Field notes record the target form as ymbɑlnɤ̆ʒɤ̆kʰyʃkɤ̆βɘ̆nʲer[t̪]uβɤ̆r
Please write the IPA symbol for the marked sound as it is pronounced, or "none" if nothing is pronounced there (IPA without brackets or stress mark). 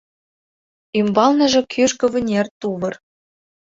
t̪